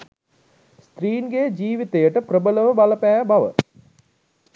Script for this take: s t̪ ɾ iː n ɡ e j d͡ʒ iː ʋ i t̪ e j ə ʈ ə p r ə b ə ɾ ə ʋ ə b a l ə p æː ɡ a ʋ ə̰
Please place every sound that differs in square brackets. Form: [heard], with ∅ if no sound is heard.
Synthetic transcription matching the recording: s t̪ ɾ iː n ɡ e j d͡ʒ iː ʋ i t̪ e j ə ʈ ə p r ə b ə [l] ə ʋ ə b a l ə p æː [b] a ʋ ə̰

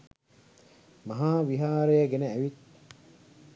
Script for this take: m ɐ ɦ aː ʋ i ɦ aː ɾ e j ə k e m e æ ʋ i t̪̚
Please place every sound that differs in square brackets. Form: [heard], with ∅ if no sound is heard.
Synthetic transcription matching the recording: m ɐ ɦ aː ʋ i ɦ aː ɾ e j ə [ɡ] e [n] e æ ʋ i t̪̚

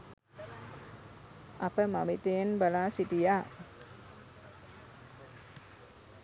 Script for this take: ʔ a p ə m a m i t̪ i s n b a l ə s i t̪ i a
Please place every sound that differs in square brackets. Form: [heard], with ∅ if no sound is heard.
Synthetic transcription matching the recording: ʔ a p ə m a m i t̪ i [∅] n b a l [a] s i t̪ i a

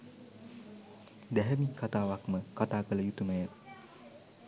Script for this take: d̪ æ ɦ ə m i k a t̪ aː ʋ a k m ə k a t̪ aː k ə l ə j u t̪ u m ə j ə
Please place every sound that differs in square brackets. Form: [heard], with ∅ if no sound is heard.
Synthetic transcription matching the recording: d̪ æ ɦ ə m i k a t̪ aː ʋ a k m ə k a t̪ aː k ə l ə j u t̪ u m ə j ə

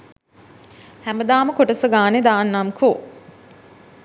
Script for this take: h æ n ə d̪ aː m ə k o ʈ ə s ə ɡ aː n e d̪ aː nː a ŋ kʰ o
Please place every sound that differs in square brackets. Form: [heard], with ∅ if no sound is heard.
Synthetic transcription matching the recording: h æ [m] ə d̪ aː m ə k o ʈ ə s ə ɡ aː n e d̪ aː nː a [m] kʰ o

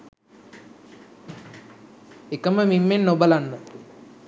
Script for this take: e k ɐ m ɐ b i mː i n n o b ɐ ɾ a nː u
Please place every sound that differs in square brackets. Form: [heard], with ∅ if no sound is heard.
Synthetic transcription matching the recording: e k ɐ m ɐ [m] i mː [e] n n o b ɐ [l] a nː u

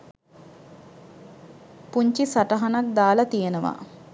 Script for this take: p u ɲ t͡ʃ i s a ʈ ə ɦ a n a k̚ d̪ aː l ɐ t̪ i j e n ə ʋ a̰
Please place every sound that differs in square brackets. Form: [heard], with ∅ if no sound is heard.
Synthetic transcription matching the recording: p u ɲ t͡ʃ i s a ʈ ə ɦ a n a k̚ d̪ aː l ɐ t̪ i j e n ə ʋ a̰

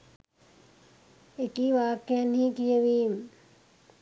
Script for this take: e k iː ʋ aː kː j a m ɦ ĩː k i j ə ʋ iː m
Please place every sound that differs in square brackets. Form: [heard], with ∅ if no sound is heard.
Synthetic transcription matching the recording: e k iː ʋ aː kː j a [n] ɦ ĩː k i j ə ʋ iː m

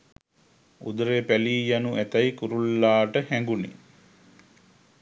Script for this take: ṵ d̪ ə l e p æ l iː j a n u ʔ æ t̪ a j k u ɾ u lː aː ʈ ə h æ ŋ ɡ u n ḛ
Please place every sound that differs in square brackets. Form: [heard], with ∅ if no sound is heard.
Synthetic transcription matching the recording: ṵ d̪ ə [ɾ] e p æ l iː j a n u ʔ æ t̪ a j k u ɾ u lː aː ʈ ə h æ ŋ ɡ u n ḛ

